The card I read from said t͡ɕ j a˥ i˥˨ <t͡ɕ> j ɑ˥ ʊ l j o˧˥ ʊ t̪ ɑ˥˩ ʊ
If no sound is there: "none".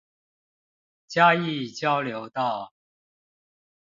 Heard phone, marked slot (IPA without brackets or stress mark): t͡ɕ